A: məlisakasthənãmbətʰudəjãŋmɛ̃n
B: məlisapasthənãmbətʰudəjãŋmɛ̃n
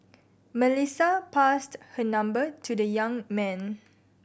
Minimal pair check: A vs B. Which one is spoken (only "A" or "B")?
B